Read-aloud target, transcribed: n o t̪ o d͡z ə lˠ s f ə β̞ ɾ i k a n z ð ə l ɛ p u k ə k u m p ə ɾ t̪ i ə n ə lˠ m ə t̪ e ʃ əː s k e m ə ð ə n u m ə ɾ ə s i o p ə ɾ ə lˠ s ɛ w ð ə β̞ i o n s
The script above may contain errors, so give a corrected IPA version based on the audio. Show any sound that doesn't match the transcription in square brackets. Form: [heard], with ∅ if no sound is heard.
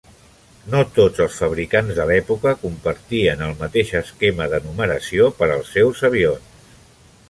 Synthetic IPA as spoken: n o t̪ o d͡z ə lˠ s f ə β̞ ɾ i k a n z ð ə l ɛ p u k ə k u m p ə ɾ t̪ i ə n ə lˠ m ə t̪ e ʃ [ə] s k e m ə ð ə n u m ə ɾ ə s i o p ə ɾ ə lˠ s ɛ w [z] ə β̞ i o n s